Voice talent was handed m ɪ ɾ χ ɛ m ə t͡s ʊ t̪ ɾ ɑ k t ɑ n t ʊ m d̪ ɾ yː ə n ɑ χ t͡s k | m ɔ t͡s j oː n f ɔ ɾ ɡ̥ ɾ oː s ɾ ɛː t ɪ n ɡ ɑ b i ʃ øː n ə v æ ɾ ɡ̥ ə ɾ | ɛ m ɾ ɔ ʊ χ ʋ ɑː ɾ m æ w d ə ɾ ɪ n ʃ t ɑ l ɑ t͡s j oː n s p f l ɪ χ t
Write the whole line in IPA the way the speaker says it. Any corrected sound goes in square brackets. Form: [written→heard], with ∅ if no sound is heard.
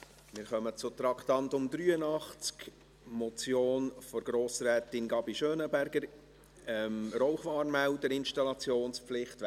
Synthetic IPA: m ɪ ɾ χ [ɛ→œ] m ə t͡s ʊ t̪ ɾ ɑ k t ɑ n t ʊ m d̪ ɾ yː ə n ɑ χ t͡s k | m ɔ t͡s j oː n f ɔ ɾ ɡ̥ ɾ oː s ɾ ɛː t ɪ n ɡ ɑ b i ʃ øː n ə [v→b] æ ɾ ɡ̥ ə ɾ | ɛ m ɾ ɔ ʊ χ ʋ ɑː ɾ m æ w d ə ɾ ɪ n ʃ t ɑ l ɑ t͡s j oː n s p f l ɪ χ t

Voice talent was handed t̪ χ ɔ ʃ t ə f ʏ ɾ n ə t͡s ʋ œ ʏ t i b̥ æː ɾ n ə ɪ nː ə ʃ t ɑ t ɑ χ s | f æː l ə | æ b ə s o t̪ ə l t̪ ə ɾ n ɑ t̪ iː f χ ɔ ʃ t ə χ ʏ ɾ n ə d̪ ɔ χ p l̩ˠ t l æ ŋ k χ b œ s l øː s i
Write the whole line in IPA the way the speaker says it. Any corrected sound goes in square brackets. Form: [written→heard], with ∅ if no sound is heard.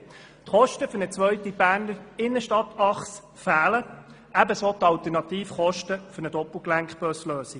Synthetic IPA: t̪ χ ɔ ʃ t ə f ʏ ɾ n ə t͡s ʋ œ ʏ t i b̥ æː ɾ n ə ɪ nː ə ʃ t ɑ t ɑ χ s | f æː l ə | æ b ə s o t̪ [ə→ɑ] l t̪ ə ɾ n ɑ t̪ iː f χ ɔ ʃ t ə [χ→f] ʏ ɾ n ə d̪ ɔ [χ→∅] p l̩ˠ [t→k] l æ ŋ k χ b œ s l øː s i

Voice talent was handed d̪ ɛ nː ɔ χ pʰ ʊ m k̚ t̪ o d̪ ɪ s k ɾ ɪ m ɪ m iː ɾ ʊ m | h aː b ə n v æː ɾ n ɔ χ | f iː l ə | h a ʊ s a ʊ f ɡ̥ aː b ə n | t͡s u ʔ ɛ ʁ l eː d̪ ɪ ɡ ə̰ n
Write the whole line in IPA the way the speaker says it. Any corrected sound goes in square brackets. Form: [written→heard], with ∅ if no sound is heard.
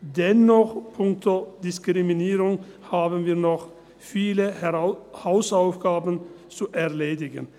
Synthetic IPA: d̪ ɛ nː ɔ χ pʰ ʊ [m→ŋ] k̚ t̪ o d̪ ɪ s k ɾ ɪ m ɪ [m→n] iː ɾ ʊ [m→ŋ] | h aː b ə n v [æː→iː] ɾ n ɔ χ | f iː l ə | h a ʊ s a ʊ f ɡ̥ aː b ə n | t͡s u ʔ ɛ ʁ l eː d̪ ɪ ɡ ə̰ n

